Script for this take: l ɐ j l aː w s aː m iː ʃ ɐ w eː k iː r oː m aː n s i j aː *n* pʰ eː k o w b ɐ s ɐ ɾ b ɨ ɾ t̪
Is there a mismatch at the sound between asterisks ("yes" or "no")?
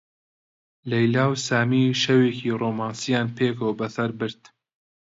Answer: no